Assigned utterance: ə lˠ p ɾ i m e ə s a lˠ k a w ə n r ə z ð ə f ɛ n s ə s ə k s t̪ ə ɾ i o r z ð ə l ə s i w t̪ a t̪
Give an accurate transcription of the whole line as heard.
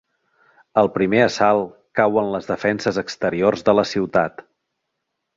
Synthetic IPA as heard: ə lˠ p ɾ i m e ə s a lˠ k a w ə n l ə z ð ə f ɛ n s ə z ə k s t̪ ə ɾ i o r z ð ə l ə s i w t̪ a t̪